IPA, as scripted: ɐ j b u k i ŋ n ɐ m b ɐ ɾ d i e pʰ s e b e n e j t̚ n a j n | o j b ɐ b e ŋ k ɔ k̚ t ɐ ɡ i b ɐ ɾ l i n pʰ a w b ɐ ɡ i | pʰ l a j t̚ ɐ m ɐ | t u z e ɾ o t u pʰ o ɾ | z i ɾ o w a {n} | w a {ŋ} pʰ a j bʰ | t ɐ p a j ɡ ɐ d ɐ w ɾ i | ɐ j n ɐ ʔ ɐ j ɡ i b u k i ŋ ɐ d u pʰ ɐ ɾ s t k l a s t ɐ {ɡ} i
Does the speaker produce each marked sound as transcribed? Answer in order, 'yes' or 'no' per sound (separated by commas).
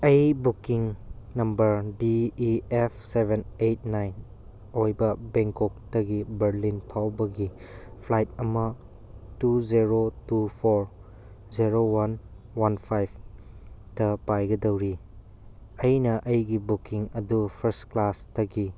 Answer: yes, no, yes